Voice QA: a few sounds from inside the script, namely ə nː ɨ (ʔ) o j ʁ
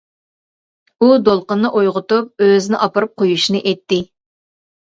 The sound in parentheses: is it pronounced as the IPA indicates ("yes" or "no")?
yes